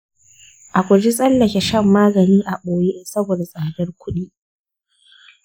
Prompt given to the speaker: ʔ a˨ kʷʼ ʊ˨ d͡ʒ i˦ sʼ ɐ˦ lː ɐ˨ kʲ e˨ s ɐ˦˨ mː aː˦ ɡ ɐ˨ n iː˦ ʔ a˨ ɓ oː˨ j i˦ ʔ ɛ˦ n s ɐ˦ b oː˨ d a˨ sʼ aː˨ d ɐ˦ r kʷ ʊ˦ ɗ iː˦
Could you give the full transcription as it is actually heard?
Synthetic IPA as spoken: ʔ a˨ kʷ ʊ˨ d͡ʒ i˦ sʼ ɐ˦ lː ɐ˨ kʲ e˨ ʃ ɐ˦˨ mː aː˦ ɡ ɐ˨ n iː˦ ʔ a˨ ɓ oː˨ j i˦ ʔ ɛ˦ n s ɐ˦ b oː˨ d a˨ sʼ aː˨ d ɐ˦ r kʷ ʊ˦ ɗ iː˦